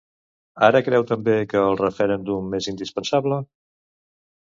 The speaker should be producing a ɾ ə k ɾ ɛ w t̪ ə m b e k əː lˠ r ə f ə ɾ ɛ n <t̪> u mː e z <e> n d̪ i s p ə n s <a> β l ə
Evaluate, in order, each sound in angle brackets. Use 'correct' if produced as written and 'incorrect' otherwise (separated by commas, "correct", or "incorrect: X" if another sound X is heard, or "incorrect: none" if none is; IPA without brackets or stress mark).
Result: incorrect: d̪, incorrect: i, correct